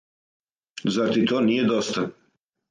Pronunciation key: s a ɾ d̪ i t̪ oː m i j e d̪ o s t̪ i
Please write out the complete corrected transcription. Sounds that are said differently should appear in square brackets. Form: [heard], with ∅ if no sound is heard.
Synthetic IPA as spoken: [z] a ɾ [t̪] i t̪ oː [n] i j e d̪ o s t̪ [a]

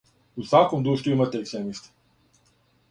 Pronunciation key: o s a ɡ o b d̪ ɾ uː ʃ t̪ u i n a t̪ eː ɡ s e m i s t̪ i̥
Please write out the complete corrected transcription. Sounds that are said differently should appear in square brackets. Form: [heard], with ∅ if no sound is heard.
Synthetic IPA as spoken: [u] s a [k] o [m] d̪ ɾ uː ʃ t̪ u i [m] a t̪ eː [k] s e m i s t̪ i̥

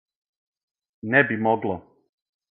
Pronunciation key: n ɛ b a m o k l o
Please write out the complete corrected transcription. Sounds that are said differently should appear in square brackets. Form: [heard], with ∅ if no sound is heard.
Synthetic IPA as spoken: n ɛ b [i] m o [ɡ] l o

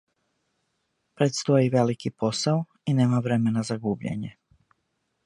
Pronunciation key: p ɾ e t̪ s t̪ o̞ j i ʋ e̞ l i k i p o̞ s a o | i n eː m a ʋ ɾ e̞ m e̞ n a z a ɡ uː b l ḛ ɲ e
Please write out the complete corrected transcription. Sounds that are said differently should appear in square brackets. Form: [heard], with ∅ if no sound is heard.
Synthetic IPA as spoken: p ɾ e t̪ s t̪ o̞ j i ʋ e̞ l i k i p o̞ s a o | i n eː m a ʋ ɾ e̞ m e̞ n a z a ɡ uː b [ʎ] ḛ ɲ e

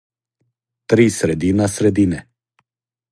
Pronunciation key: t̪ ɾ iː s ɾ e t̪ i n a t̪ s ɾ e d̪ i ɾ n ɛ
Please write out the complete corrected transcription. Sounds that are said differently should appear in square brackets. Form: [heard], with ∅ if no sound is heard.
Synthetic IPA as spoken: t̪ ɾ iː s ɾ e [d̪] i n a [∅] s ɾ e d̪ i [∅] n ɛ

